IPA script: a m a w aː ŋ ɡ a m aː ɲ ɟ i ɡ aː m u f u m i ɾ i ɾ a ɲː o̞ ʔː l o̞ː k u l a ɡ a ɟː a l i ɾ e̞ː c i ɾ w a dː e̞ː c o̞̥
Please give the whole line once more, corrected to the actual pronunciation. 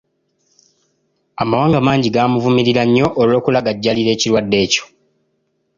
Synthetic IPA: a m a w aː ŋ ɡ a m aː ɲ ɟ i ɡ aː m u v u m i ɾ i ɾ a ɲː o̞ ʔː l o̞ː k u l a ɡ a ɟː a l i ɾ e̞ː c i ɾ w a dː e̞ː c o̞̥